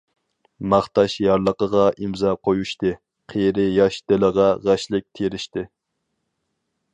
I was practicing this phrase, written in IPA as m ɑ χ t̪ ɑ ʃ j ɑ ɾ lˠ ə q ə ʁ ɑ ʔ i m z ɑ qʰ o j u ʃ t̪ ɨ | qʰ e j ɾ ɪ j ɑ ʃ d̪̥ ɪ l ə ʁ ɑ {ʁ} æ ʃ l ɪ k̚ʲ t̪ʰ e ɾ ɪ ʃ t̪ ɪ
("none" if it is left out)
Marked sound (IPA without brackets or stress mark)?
ʁ